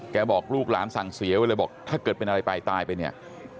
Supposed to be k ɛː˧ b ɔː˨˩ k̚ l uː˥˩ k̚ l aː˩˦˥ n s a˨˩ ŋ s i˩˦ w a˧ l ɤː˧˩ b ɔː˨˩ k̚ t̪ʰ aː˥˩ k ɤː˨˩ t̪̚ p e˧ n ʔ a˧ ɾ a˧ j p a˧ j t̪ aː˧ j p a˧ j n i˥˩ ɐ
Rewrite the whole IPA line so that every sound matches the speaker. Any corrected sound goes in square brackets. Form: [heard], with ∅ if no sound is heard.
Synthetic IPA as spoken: k ɛː˧ b ɔː˨˩ k̚ l uː˥˩ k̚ l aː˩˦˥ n s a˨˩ ŋ s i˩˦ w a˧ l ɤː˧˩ b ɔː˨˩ k̚ t̪ʰ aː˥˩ k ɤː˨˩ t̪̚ p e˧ n ʔ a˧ ɾ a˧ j p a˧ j t̪ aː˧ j p a˧ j n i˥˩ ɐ

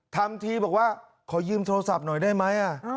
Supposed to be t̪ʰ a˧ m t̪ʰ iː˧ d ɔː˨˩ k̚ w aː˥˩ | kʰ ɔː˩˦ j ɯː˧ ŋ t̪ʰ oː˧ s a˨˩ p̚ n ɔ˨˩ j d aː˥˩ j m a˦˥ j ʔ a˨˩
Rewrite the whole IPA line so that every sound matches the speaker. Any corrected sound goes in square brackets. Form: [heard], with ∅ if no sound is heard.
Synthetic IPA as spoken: t̪ʰ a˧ m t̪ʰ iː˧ [b] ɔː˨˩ k̚ w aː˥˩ | kʰ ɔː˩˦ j ɯː˧ [m] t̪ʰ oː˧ s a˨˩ p̚ n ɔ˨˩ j d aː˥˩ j m a˦˥ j ʔ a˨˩

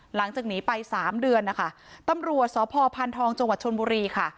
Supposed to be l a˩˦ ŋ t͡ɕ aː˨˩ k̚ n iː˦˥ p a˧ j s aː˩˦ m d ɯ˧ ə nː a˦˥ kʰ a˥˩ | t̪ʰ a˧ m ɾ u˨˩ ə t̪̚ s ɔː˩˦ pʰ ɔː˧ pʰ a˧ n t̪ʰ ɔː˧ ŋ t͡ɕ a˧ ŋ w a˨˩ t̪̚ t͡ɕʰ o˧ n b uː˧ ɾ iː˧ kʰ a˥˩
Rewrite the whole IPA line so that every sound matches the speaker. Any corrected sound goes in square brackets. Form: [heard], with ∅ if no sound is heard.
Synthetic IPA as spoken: l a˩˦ ŋ t͡ɕ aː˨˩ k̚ n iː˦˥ p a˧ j s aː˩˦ m d ɯ˧ ə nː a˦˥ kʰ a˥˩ | [t̪] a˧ m ɾ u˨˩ ə t̪̚ s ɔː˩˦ pʰ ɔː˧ pʰ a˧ n t̪ʰ ɔː˧ ŋ t͡ɕ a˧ ŋ w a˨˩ t̪̚ t͡ɕʰ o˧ n b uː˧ ɾ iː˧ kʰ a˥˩

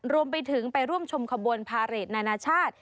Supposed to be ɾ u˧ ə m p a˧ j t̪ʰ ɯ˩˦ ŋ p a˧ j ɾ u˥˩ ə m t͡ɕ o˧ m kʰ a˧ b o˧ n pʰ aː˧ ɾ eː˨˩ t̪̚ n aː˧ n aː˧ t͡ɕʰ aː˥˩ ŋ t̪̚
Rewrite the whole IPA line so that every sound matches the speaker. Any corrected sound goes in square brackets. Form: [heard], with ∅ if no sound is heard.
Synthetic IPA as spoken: ɾ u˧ ə m p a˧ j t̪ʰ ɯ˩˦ ŋ p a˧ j ɾ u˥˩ ə m [t͡ɕʰ] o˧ m kʰ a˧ b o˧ n pʰ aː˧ ɾ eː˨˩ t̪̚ n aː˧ n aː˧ t͡ɕʰ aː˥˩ [∅] t̪̚

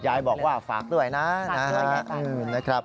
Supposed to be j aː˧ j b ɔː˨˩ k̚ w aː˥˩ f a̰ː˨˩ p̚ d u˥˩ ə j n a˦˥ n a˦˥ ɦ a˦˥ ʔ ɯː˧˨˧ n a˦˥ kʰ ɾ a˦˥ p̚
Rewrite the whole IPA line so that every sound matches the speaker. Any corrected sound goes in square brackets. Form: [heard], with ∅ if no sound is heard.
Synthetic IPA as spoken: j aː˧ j b ɔː˨˩ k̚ w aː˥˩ f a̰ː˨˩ [k̚] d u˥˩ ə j n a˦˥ n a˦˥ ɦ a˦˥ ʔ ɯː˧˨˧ n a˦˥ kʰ ɾ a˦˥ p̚

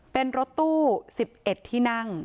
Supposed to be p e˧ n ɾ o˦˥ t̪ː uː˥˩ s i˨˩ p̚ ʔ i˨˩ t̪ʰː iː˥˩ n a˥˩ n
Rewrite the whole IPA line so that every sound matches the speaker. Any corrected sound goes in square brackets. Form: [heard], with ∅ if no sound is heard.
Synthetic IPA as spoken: p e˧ n ɾ o˦˥ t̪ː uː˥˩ s i˨˩ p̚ ʔ [e˨˩] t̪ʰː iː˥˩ n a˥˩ [ŋ]

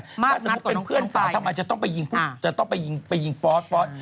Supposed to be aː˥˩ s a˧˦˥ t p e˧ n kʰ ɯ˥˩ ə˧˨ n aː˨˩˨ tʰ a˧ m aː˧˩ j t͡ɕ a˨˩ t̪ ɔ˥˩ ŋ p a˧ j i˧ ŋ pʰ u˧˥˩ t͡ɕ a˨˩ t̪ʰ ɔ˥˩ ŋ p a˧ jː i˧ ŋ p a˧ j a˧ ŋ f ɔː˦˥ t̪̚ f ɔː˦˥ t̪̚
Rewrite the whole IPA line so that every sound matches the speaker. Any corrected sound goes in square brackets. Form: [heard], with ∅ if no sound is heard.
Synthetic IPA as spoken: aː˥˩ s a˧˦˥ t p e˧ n [pʰ] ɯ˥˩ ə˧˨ n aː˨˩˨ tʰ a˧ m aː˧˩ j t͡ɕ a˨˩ t̪ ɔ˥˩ ŋ p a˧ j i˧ ŋ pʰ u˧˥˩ t͡ɕ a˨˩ [t̪] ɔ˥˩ ŋ p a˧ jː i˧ ŋ p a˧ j [i˧] ŋ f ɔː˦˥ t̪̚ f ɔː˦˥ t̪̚

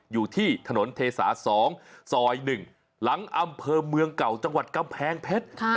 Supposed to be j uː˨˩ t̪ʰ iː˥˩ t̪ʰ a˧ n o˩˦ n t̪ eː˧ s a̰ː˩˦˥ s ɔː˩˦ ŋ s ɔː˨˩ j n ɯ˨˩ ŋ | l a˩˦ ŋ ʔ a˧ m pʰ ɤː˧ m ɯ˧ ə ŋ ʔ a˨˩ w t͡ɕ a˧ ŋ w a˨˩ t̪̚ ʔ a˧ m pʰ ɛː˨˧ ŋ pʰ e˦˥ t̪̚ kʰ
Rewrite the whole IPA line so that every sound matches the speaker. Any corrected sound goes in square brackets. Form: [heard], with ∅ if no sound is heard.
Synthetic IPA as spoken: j uː˨˩ t̪ʰ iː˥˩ t̪ʰ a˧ n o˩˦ n [t̪ʰ] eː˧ s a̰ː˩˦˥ s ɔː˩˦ ŋ s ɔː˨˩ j n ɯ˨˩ ŋ | l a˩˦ ŋ ʔ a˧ m pʰ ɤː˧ m ɯ˧ ə ŋ [k] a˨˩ w t͡ɕ a˧ ŋ w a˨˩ t̪̚ [k] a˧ m pʰ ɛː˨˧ ŋ pʰ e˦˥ t̪̚ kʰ

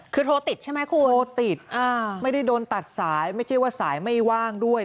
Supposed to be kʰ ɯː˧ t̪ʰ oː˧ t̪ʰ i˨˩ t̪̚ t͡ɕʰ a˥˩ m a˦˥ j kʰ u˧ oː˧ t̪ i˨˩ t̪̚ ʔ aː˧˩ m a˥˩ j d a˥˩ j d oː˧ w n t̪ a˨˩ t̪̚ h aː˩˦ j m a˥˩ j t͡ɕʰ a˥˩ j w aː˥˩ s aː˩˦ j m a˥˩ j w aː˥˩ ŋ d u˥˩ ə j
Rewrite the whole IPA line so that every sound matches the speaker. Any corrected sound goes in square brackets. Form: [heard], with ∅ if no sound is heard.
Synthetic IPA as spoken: kʰ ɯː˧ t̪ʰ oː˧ [t̪] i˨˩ t̪̚ t͡ɕʰ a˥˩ m a˦˥ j kʰ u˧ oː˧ t̪ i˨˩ t̪̚ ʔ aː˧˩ m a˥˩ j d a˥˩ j d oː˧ [∅] n t̪ a˨˩ t̪̚ [s] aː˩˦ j m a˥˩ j t͡ɕʰ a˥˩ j w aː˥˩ s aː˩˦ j m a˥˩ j w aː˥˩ ŋ d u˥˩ ə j

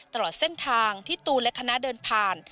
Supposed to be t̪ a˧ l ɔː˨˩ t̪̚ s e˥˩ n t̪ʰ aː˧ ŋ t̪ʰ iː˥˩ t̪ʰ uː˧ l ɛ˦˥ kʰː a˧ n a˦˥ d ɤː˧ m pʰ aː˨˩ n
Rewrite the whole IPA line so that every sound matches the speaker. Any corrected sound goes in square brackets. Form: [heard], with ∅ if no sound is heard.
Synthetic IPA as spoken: t̪ a˧ l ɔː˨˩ t̪̚ s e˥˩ n t̪ʰ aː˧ ŋ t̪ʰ iː˥˩ [t̪] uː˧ l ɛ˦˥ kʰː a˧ n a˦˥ d ɤː˧ [n] pʰ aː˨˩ n

